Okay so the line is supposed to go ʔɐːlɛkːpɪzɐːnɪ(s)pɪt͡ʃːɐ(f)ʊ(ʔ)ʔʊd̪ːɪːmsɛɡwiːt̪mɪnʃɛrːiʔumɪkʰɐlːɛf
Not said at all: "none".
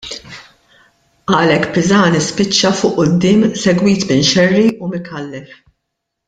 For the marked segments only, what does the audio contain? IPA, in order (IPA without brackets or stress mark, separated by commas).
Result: s, f, ʔ